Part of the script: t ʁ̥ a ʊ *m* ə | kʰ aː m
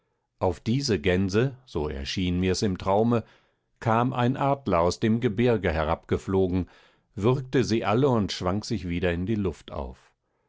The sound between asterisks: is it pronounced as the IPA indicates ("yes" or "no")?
yes